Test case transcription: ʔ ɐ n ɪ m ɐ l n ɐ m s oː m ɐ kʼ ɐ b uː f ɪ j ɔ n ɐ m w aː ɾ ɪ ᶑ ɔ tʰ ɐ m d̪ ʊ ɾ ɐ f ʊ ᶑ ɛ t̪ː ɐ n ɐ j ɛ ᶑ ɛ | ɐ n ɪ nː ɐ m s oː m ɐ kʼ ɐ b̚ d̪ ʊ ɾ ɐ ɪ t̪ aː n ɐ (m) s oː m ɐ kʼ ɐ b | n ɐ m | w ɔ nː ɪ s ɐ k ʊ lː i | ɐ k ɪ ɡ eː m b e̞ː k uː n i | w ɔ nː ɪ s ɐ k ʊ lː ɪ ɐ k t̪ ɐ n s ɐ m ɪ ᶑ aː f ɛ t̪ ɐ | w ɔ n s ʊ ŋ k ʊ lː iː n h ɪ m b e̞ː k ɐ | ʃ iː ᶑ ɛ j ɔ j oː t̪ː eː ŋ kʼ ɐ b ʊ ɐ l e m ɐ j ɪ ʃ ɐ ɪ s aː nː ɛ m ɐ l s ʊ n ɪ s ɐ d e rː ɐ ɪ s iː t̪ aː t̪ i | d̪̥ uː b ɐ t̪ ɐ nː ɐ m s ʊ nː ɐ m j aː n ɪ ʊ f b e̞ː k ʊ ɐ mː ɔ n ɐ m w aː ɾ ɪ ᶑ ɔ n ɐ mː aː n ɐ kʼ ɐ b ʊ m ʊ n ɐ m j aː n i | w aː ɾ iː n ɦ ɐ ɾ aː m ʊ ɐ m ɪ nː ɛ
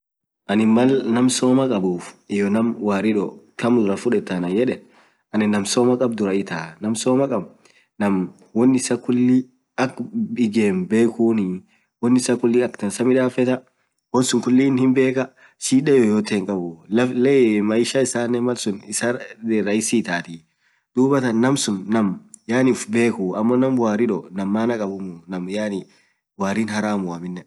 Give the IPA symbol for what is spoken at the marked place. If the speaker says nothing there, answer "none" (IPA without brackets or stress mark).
m